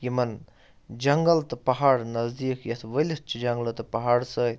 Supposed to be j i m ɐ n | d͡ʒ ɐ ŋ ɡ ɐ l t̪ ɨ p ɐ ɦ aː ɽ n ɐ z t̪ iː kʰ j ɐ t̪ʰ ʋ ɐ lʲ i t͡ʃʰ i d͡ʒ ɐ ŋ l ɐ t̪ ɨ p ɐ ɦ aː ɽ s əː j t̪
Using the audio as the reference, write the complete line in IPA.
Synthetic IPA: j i m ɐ n | d͡ʒ ɐ ŋ ɡ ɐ l t̪ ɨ p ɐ ɦ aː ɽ n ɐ z d̪ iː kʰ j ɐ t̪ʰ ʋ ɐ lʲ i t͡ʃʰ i d͡ʒ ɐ ŋ l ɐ t̪ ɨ p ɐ ɦ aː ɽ s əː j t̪